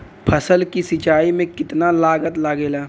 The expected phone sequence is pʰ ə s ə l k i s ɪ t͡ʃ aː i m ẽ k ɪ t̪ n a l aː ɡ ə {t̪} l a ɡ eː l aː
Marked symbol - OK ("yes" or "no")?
yes